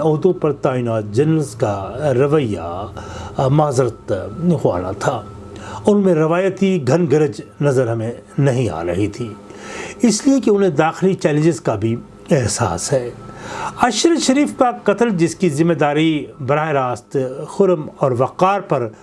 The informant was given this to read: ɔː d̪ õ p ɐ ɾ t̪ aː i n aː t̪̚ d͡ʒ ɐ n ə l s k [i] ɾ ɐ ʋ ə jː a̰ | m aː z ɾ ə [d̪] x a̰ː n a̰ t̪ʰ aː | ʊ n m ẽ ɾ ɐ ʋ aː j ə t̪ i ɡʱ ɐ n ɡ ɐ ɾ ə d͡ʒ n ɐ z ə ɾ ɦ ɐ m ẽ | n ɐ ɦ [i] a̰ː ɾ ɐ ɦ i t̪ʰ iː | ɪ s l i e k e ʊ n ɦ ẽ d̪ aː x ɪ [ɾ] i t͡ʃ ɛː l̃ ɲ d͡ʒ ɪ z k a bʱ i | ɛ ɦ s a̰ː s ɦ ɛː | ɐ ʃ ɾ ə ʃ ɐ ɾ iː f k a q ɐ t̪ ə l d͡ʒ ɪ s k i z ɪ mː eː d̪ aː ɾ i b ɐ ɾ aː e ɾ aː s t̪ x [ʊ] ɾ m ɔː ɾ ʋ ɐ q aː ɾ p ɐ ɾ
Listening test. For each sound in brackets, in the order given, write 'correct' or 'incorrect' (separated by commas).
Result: incorrect, incorrect, incorrect, incorrect, correct